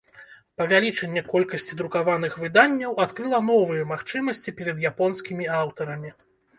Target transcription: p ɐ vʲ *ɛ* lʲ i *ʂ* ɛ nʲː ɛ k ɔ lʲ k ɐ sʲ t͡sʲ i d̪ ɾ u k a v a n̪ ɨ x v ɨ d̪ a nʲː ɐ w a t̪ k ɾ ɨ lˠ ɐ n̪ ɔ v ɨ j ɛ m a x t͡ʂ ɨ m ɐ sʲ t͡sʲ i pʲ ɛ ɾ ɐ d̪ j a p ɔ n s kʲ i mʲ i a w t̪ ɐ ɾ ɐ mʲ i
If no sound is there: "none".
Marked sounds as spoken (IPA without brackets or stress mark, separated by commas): a, t͡ʂ